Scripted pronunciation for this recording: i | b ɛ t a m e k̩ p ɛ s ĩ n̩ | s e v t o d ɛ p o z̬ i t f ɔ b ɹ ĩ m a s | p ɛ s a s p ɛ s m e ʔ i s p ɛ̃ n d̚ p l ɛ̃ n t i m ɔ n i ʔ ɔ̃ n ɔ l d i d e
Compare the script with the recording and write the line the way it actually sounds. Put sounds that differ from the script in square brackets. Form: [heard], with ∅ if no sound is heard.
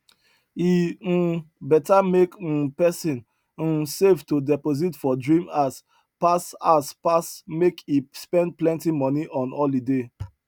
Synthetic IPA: i | b ɛ t a m e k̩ p ɛ s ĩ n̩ | s e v t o d ɛ p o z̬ i t f ɔ [d] ɹ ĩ m a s | p [a] s a s p [a] s m e [k] i s p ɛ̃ n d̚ p l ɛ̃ n t i m ɔ n i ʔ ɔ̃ n ɔ l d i d e